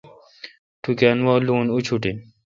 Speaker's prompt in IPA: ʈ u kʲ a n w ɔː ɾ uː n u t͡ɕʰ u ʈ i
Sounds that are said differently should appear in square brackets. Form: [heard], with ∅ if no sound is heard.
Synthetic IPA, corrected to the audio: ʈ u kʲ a n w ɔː [l] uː n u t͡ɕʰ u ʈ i